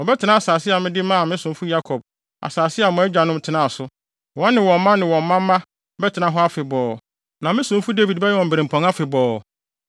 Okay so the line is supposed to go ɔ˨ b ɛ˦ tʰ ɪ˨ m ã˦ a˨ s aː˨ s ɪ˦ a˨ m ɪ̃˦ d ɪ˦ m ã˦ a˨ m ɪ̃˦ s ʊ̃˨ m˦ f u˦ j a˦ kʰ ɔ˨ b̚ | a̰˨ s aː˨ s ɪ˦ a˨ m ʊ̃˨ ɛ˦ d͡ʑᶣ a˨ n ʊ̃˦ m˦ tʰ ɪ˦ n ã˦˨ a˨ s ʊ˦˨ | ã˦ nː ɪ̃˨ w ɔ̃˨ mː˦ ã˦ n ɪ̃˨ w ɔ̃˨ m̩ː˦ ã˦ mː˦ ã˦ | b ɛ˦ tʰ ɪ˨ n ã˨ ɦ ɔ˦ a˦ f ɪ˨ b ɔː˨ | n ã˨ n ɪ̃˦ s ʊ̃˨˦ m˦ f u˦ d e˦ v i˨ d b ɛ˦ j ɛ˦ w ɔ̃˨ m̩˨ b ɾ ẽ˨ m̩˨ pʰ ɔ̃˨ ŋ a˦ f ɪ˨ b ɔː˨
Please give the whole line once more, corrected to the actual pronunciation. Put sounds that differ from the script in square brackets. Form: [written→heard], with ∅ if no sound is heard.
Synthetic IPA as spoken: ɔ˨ b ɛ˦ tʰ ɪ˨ [m→n] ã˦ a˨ s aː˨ s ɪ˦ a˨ m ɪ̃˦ d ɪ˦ m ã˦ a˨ m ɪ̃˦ s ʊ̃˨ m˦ f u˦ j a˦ kʰ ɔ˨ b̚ | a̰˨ s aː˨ s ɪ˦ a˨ m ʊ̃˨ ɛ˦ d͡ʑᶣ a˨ n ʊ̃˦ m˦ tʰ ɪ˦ n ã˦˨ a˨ s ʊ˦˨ | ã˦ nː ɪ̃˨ w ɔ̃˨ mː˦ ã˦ n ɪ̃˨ w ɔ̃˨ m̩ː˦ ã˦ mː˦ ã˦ | b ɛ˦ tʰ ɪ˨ n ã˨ ɦ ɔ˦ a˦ f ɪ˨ b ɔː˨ | n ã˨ [n→m] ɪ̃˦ s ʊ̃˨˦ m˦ f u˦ d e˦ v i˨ d b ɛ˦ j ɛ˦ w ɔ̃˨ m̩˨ b ɾ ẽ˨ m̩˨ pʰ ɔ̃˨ ŋ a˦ f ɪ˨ b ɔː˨